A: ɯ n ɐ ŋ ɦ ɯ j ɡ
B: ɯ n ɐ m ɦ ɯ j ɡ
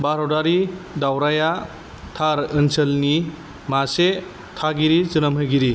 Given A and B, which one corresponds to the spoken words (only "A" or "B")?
B